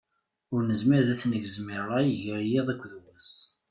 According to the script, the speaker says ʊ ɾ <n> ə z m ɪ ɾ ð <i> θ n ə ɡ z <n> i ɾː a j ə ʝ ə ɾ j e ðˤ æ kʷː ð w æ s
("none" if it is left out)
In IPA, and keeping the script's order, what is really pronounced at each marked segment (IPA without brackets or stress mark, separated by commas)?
n, æ, m